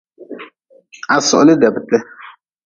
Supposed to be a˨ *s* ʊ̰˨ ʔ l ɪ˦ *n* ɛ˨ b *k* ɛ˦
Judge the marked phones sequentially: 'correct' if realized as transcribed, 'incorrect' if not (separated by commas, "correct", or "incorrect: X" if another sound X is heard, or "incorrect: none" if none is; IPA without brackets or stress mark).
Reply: correct, incorrect: d, incorrect: t